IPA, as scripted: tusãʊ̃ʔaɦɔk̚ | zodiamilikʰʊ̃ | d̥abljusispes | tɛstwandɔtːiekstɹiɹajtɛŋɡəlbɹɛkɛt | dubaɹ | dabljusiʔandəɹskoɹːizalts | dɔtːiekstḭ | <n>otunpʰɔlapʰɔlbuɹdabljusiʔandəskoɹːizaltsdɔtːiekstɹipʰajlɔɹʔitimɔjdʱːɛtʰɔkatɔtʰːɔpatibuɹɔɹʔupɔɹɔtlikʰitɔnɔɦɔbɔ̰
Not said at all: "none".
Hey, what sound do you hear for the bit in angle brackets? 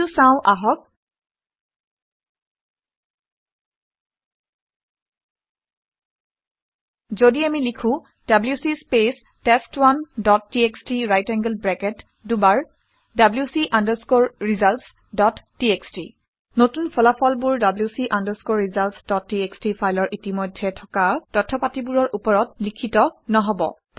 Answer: n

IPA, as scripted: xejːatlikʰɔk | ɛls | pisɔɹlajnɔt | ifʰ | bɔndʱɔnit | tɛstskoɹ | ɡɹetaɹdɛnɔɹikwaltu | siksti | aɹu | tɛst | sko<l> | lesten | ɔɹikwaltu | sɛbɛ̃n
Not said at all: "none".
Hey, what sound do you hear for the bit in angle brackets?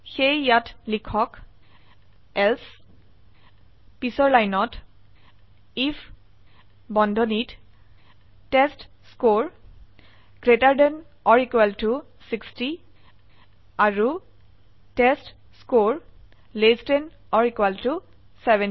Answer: ɹ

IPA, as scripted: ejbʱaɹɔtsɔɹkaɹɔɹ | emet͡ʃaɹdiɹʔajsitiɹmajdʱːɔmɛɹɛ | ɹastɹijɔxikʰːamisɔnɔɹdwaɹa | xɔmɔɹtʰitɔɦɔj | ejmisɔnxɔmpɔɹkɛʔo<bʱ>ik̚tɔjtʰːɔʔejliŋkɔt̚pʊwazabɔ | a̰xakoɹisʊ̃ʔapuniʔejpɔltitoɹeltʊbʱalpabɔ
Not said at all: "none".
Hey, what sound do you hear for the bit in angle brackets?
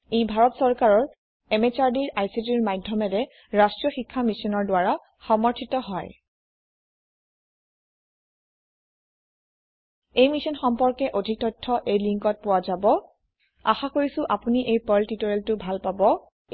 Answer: dʱ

